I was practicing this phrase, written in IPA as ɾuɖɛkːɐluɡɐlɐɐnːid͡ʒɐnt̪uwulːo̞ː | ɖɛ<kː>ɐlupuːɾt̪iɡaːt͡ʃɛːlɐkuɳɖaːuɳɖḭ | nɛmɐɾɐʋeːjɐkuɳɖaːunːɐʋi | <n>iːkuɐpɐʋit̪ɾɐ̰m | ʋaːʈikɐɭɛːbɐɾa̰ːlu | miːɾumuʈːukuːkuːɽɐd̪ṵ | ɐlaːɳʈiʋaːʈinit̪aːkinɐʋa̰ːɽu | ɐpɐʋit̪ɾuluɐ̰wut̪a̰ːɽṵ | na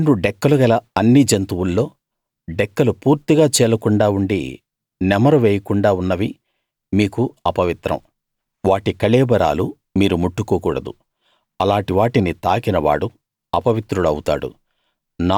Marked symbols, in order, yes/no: yes, no

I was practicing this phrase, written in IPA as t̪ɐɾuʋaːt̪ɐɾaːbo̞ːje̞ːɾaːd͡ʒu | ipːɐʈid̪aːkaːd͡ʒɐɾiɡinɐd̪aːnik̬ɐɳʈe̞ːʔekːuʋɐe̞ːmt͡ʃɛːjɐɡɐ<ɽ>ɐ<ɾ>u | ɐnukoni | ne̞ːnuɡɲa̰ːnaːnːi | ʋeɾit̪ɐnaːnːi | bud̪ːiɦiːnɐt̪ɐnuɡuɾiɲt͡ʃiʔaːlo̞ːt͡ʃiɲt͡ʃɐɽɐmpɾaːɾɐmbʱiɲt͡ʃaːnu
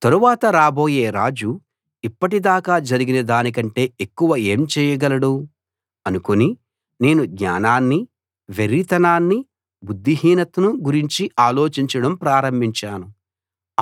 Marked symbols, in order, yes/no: no, no

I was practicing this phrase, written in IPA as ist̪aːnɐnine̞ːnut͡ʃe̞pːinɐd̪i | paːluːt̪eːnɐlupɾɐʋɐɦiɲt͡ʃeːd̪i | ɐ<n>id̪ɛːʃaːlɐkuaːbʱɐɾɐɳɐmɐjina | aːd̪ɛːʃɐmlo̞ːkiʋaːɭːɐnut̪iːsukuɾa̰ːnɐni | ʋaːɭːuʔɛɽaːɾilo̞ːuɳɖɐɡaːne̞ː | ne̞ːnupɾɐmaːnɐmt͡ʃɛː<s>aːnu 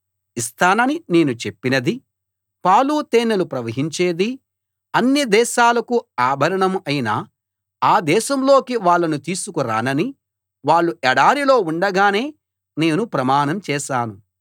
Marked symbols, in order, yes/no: no, no

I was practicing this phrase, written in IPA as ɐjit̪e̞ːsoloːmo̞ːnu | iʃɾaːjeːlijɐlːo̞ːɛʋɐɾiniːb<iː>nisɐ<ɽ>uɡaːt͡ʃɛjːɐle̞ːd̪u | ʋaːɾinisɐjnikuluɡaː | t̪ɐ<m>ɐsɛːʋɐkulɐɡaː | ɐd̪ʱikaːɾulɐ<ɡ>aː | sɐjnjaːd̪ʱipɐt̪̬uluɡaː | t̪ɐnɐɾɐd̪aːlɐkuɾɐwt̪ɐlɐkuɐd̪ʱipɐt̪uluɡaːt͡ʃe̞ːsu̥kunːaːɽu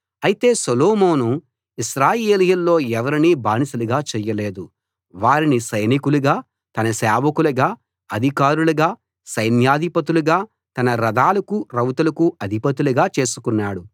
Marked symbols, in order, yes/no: no, no, no, yes

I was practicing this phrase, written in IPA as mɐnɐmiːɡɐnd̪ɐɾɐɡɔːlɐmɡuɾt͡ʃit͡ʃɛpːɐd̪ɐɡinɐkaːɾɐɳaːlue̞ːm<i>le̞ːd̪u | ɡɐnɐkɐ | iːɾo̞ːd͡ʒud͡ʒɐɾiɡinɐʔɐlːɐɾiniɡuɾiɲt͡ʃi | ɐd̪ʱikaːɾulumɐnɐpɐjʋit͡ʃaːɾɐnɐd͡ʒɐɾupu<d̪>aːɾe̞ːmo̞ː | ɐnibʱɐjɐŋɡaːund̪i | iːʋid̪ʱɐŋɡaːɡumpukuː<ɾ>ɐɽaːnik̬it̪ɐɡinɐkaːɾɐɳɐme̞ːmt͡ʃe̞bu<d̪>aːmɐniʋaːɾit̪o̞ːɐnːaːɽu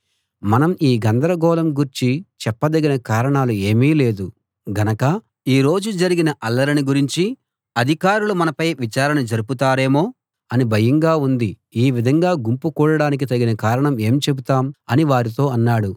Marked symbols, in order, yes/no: no, no, no, no

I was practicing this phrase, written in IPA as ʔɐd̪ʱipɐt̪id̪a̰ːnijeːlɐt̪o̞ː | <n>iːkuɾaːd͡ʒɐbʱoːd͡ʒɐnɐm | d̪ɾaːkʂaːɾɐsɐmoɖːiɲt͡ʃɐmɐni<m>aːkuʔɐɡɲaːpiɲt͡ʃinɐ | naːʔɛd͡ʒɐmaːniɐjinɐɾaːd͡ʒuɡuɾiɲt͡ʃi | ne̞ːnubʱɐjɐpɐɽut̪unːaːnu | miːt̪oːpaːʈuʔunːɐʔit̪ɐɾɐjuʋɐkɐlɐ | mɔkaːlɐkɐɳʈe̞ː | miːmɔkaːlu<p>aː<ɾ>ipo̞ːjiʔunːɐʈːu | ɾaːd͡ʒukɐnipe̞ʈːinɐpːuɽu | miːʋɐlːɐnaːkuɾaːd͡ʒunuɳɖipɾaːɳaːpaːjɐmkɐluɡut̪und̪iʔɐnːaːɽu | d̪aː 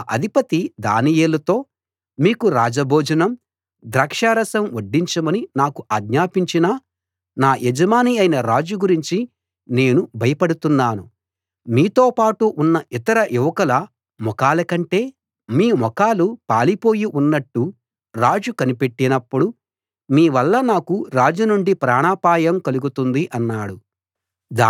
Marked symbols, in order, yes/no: no, no, yes, no

